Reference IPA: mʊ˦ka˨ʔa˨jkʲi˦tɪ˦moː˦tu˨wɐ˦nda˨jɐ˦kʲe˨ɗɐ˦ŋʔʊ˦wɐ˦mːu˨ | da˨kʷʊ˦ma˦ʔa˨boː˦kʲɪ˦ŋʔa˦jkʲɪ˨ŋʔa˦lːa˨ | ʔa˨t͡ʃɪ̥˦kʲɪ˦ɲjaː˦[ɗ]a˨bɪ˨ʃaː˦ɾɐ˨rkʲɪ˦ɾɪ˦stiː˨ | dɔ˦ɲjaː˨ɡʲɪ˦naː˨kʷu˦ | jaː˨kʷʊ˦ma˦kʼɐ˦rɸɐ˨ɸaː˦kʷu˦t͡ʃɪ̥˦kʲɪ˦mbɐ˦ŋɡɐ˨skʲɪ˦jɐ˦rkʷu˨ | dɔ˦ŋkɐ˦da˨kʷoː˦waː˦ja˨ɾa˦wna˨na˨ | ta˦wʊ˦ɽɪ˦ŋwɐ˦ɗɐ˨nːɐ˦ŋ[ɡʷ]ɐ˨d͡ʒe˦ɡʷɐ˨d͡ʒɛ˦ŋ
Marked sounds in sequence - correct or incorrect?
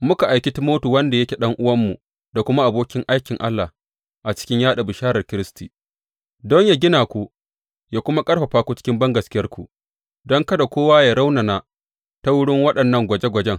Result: correct, correct

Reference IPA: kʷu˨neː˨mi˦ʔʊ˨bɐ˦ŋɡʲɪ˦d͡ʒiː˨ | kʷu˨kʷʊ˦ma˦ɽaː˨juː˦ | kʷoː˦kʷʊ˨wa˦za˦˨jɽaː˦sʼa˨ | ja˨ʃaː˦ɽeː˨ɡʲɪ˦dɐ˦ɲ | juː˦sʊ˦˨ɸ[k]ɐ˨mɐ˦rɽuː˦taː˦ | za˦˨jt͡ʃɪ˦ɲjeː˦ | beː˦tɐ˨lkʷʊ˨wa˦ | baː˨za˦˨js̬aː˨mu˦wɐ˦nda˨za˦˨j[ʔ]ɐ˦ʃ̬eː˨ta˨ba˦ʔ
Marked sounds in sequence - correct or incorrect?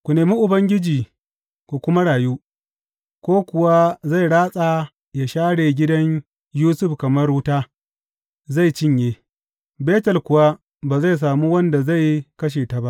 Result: correct, incorrect

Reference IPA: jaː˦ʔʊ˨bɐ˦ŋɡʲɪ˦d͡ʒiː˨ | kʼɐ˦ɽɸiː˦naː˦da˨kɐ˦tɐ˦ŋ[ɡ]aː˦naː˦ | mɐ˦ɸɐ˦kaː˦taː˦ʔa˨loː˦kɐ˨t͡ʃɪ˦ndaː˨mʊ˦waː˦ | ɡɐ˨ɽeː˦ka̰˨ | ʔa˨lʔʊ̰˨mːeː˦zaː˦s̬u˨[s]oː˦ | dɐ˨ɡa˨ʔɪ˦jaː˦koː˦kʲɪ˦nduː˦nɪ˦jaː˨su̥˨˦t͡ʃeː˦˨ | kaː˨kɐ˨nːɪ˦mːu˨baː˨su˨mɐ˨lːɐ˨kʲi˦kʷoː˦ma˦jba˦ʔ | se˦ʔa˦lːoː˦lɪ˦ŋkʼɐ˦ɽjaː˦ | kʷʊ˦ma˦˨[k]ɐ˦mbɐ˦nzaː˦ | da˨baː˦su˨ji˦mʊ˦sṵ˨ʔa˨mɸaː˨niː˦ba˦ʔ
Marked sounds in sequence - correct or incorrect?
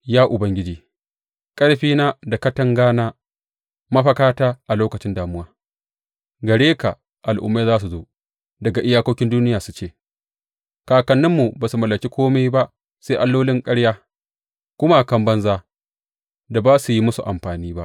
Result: correct, incorrect, correct

